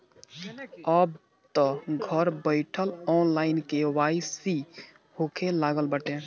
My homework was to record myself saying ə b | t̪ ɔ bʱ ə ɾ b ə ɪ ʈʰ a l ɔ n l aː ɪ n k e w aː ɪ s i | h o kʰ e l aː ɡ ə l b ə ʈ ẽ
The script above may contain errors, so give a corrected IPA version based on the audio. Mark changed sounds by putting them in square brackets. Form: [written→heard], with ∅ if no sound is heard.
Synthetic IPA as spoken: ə b | t̪ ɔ [bʱ→ɡʱ] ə ɾ b ə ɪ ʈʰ [a→ə] l ɔ n l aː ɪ n k e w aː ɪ s i | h o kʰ e l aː ɡ ə l b ə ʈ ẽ